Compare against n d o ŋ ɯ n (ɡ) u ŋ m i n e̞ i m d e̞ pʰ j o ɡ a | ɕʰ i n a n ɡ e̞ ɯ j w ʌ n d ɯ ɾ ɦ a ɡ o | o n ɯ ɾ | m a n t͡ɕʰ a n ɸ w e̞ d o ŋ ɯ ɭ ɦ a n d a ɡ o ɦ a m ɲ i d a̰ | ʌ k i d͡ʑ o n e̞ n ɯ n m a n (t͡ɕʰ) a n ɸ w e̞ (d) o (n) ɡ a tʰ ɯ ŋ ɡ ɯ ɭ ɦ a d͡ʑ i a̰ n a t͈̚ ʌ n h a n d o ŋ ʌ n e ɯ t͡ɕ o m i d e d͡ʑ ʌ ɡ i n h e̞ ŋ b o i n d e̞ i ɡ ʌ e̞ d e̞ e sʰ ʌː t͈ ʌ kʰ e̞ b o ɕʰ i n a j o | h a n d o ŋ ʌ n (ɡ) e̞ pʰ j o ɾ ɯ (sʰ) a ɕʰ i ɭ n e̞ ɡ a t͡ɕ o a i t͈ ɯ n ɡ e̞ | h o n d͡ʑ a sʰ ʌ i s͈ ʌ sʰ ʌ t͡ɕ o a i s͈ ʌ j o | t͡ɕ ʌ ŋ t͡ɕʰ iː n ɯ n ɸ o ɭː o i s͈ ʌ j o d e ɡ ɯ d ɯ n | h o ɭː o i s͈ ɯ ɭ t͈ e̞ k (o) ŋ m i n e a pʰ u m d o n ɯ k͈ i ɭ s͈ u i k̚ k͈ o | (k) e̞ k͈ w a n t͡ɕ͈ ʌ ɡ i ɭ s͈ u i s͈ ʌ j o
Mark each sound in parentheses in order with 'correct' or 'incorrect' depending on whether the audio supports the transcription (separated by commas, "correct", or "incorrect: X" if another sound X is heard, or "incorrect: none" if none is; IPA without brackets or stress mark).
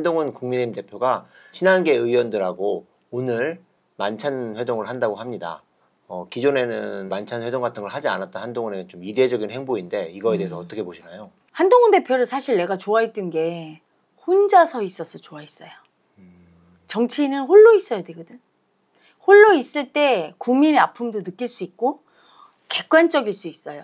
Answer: incorrect: k, correct, correct, incorrect: ŋ, incorrect: d, correct, incorrect: u, correct